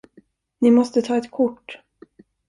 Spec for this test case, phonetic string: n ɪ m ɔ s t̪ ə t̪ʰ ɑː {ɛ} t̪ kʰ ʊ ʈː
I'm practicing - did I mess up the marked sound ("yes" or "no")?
no